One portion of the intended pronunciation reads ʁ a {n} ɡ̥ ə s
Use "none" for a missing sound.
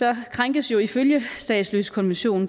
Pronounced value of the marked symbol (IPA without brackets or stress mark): ŋ